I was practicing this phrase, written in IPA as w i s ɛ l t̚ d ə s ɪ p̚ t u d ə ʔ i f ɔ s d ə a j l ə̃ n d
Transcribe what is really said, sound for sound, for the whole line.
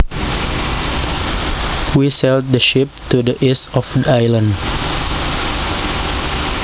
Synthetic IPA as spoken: w i s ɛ l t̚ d ə ʃ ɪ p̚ t u d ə ʔ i s ɔ f d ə a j l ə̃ n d